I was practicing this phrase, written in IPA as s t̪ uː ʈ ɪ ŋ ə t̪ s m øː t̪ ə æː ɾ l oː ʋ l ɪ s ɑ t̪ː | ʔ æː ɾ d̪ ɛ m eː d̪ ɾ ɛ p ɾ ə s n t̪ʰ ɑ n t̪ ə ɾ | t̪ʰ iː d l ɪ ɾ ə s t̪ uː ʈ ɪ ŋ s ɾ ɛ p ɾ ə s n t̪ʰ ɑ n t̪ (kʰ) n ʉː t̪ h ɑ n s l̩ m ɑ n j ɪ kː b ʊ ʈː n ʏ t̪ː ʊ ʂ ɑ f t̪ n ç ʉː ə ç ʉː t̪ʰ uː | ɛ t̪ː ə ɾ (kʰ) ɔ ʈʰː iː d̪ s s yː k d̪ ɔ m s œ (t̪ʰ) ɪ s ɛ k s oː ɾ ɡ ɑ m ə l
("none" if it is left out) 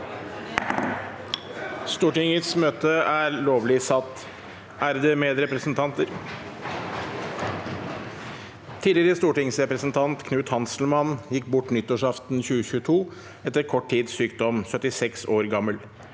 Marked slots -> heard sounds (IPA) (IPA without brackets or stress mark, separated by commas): kʰ, kʰ, t̪